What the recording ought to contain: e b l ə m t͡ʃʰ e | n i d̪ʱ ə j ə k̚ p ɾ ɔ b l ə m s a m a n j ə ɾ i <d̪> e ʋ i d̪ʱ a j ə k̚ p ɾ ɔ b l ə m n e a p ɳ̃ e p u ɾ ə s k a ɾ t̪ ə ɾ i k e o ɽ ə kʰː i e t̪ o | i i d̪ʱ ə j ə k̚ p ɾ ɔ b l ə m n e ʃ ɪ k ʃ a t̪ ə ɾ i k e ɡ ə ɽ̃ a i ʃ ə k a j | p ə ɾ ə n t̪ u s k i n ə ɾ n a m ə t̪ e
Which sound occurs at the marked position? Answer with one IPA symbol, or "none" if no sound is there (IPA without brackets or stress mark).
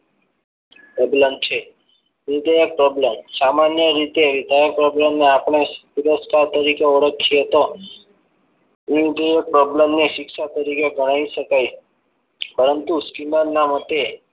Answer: t̪